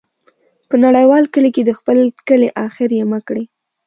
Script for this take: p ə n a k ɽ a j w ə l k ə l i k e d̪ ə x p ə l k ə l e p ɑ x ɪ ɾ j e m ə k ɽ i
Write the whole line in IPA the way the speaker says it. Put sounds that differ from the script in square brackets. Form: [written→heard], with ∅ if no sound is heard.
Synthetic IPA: p ə n a [k→∅] ɽ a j w [ə→ɑ] l k ə l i k e d̪ ə x p ə l k ə l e [p→ʔ] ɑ x ɪ ɾ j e m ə k ɽ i